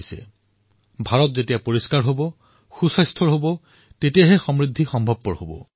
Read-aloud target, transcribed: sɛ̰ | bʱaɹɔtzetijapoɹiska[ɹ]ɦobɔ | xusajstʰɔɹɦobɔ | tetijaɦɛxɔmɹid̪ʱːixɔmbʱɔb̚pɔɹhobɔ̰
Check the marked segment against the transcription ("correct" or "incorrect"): correct